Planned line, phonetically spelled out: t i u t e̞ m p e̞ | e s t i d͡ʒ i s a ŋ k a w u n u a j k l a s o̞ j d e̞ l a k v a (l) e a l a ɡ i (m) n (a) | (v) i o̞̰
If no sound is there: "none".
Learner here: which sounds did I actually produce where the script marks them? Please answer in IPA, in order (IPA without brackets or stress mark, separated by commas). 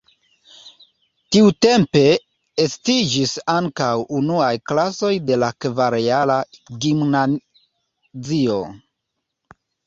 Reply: ɾ, m, a, z